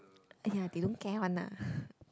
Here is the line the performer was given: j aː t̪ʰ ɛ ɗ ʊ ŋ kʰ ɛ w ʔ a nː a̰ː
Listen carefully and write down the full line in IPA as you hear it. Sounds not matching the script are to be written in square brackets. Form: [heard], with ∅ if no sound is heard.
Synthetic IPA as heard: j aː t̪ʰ [i] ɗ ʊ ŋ [k] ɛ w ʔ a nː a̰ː